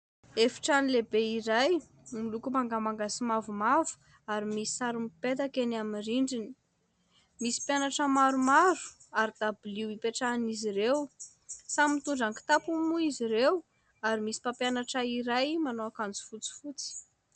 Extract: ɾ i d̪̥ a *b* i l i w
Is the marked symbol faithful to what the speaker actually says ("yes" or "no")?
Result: yes